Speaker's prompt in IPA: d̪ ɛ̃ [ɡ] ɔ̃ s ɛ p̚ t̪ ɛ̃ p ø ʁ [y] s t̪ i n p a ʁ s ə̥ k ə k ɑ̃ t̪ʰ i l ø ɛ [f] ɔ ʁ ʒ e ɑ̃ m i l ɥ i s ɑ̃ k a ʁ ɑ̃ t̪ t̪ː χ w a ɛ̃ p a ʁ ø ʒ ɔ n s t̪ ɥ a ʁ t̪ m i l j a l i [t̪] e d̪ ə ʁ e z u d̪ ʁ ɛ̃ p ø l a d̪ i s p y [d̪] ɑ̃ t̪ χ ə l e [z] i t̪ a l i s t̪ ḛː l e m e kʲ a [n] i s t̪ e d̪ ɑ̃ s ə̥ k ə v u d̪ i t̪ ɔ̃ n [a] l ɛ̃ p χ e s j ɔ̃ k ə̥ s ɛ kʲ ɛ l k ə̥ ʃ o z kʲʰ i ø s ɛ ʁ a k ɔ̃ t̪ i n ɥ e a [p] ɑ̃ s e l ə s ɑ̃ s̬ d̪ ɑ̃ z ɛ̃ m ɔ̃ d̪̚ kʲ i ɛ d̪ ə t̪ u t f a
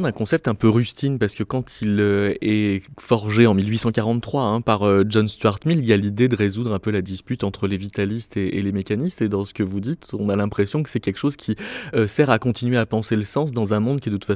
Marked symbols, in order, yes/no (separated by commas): no, yes, yes, no, no, no, yes, yes, yes